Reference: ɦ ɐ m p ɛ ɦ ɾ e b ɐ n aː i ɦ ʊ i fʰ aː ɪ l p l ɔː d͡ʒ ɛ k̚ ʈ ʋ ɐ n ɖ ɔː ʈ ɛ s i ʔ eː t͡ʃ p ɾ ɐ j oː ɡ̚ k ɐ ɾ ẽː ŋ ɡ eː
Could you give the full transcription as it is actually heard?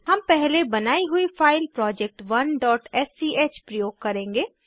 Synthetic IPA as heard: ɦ ɐ m p ɛ ɦ l e b ɐ n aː i ɦ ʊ i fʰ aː ɪ l p ɾ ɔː d͡ʒ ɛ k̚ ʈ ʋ ɐ n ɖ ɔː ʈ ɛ s i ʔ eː t͡ʃ p ɾ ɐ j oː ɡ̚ k ɐ ɾ ẽː ŋ ɡ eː